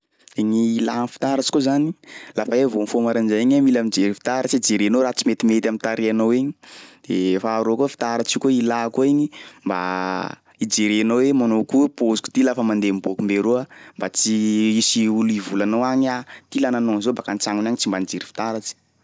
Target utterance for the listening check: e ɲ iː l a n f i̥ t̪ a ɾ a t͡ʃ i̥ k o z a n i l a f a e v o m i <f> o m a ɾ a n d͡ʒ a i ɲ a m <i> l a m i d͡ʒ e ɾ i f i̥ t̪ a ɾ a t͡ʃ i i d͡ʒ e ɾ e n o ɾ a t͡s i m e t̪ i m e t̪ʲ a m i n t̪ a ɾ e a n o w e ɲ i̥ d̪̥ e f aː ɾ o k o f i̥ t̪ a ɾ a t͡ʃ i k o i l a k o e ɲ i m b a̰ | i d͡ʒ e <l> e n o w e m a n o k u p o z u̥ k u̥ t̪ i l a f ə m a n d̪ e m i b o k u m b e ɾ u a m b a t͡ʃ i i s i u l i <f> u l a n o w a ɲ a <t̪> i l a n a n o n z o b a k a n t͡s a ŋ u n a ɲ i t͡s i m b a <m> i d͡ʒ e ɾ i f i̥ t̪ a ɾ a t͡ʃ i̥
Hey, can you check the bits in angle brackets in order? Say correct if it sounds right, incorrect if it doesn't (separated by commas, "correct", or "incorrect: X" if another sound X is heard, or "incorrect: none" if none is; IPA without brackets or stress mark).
correct, correct, incorrect: ɾ, incorrect: v, correct, incorrect: n